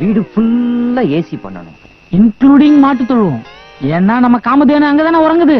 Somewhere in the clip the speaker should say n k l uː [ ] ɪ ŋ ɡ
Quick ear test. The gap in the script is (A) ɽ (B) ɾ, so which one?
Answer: A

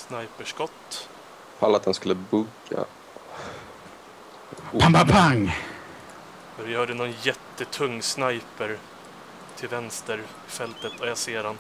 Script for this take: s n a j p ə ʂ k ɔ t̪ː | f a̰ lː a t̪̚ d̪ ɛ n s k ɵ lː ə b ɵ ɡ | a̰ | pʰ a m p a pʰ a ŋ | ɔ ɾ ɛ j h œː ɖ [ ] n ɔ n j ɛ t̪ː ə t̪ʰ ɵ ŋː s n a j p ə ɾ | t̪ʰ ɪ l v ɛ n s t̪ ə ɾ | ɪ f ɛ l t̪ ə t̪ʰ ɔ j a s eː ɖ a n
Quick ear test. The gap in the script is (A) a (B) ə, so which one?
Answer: B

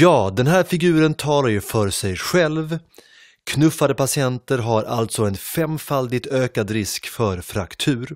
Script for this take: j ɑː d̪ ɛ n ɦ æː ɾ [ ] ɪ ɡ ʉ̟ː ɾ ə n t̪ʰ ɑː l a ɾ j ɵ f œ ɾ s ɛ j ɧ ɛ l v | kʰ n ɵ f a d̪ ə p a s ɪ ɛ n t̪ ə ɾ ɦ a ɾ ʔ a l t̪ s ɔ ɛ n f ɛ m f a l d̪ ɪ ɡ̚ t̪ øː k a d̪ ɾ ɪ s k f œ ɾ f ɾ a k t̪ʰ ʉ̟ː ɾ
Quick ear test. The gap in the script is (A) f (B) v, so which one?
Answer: A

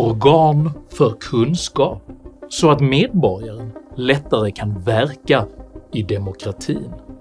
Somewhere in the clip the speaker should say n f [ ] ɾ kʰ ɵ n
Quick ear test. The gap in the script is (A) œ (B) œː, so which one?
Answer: A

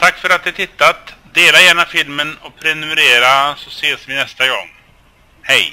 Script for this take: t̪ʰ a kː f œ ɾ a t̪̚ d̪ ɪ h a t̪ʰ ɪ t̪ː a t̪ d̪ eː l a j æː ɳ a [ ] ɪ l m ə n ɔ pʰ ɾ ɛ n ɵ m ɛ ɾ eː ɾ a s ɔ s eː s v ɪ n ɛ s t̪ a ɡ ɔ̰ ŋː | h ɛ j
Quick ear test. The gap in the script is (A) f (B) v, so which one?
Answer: A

